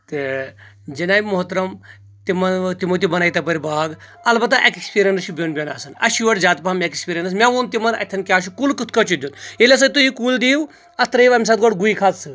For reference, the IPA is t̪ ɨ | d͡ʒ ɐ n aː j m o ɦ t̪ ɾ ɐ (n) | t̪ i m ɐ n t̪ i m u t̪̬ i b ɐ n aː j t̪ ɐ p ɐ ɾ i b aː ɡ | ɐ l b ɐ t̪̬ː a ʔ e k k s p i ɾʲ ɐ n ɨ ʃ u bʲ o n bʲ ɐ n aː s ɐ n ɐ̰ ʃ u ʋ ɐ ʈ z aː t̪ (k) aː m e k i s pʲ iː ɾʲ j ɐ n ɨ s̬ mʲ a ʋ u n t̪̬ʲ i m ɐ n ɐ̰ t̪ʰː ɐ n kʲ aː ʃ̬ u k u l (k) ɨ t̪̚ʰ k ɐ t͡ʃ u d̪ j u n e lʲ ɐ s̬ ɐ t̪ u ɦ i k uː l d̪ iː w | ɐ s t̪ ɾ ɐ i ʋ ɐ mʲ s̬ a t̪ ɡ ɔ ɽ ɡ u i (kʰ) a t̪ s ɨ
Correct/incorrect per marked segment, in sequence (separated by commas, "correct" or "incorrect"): incorrect, incorrect, correct, correct